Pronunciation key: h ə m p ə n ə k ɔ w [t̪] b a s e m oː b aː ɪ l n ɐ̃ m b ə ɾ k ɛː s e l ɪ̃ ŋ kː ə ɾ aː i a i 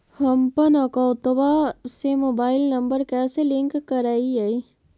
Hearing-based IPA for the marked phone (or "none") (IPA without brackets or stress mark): t̪